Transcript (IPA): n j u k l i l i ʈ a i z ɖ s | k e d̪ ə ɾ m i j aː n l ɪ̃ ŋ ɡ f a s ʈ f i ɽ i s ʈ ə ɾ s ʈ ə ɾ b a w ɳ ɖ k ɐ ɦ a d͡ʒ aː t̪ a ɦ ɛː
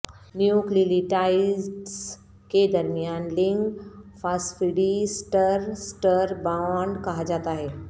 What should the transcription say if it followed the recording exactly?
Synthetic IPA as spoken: n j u k l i l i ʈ a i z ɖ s | k e d̪ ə ɾ m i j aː n l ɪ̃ ŋ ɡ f a s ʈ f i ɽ i s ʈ ə ɾ s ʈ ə ɾ b a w ɳ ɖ k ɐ ɦ a d͡ʒ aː t̪ a ɦ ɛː